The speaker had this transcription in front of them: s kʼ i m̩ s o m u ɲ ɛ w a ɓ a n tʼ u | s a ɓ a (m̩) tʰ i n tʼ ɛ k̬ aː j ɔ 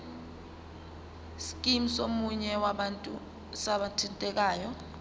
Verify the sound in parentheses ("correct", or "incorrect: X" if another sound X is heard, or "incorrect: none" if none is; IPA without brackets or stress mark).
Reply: incorrect: none